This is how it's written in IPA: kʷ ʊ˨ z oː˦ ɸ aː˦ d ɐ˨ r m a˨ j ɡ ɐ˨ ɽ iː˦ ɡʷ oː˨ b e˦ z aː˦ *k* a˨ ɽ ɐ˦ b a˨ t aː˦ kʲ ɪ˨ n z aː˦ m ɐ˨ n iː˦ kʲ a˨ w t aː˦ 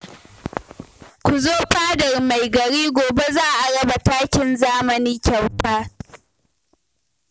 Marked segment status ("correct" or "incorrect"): incorrect